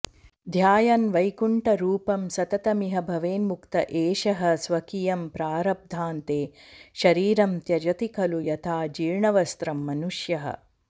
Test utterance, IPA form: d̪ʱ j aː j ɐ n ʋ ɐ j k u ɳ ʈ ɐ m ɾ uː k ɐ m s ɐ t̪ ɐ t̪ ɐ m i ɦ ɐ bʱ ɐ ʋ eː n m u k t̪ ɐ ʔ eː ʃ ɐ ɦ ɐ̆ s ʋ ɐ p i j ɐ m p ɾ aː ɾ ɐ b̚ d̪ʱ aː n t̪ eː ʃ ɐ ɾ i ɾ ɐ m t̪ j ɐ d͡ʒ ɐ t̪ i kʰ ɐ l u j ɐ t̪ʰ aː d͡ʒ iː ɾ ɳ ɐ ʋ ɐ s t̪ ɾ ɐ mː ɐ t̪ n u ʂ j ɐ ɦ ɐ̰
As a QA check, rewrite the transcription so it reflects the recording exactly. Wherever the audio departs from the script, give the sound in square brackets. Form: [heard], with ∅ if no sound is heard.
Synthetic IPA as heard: d̪ʱ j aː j ɐ n ʋ ɐ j k u ɳ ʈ ɐ [∅] ɾ uː [p] ɐ m s ɐ t̪ ɐ t̪ ɐ m i ɦ ɐ bʱ ɐ ʋ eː n m u k t̪ ɐ ʔ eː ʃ ɐ ɦ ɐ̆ s ʋ ɐ [k] i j ɐ m p ɾ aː ɾ ɐ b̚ d̪ʱ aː n t̪ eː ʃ ɐ ɾ [iː] ɾ ɐ m t̪ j ɐ d͡ʒ ɐ t̪ i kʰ ɐ l u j ɐ t̪ʰ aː d͡ʒ iː ɾ ɳ ɐ ʋ ɐ s t̪ ɾ ɐ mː ɐ [∅] n u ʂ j ɐ ɦ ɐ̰